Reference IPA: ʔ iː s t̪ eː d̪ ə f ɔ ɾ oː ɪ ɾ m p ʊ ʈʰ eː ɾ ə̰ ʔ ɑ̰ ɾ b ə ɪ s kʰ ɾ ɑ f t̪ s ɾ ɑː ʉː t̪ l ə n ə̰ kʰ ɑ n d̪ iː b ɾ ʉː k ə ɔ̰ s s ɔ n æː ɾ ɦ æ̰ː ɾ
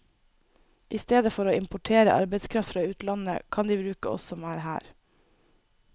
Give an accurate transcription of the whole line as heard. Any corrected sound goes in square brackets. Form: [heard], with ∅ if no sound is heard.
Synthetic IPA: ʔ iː s t̪ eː d̪ ə f ɔ ɾ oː ɪ [∅] m p ʊ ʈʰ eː ɾ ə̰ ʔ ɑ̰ ɾ b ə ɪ s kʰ ɾ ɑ f t̪ [f] ɾ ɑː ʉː t̪ l [ɑ] n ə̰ kʰ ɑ n d̪ iː b ɾ ʉː k ə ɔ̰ s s ɔ [m] æː ɾ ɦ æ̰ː ɾ